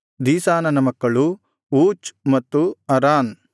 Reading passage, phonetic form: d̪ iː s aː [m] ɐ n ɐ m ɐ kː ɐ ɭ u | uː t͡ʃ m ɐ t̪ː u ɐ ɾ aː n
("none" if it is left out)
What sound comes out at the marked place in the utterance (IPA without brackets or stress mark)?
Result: n